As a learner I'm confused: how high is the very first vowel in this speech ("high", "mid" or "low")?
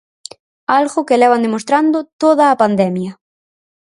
low